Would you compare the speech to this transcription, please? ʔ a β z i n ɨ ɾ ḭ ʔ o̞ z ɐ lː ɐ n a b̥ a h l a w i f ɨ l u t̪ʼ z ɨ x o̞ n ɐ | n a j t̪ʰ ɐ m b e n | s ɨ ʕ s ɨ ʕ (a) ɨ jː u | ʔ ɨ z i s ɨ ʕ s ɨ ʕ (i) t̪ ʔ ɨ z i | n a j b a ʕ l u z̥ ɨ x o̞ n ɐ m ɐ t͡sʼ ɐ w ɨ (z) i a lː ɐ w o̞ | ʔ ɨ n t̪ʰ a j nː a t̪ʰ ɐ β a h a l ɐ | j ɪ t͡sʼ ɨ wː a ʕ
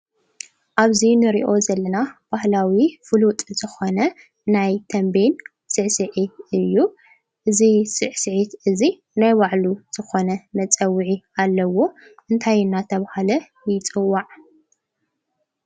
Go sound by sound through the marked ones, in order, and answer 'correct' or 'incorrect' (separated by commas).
incorrect, correct, incorrect